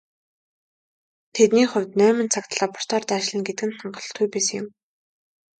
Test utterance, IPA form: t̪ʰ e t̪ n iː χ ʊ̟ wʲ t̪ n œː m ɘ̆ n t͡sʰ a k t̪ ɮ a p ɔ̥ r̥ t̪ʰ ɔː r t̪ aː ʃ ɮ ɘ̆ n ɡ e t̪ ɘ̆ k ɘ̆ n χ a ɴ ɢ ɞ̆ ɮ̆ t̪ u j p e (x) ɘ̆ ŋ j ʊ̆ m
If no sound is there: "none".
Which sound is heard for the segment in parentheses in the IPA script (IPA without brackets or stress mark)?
s